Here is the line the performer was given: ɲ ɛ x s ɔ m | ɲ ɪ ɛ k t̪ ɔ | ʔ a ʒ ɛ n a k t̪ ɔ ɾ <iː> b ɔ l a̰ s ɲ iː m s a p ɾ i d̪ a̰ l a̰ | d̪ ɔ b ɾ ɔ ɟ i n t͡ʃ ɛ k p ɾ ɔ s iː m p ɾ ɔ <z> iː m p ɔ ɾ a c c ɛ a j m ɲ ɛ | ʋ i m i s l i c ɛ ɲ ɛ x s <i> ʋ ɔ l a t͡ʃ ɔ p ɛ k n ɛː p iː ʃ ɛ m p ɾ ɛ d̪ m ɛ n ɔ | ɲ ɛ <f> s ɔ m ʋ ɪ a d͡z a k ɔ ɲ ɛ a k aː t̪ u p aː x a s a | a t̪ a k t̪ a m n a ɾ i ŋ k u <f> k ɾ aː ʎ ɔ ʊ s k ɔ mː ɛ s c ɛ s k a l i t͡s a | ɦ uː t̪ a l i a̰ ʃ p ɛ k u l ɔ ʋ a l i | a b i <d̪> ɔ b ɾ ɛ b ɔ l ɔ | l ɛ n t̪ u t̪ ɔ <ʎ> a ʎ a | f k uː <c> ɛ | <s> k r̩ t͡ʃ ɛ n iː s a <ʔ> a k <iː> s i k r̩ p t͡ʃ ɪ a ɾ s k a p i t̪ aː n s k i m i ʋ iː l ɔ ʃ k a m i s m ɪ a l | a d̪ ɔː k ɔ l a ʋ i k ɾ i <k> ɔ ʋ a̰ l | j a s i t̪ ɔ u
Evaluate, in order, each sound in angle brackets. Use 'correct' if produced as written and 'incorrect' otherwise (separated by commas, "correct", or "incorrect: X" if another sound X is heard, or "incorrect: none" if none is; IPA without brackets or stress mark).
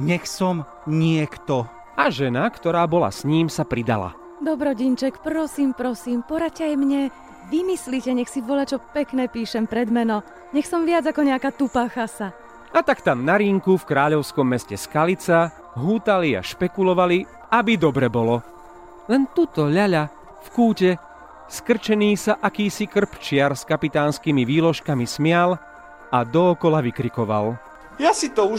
incorrect: aː, incorrect: s, correct, incorrect: x, correct, correct, correct, correct, correct, correct, correct, correct